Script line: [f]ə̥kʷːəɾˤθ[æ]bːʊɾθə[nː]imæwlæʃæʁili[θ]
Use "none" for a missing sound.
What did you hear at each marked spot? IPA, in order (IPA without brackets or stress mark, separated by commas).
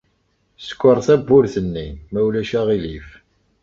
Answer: s, æ, nː, f